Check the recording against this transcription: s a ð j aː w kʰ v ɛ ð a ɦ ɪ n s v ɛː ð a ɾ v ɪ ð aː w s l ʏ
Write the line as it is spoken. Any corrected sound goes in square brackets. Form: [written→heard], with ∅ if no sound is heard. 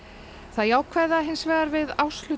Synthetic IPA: [s→θ] a ð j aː w kʰ v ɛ ð a ɦ ɪ n s v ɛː [ð→ɣ] a ɾ v ɪ ð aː w s l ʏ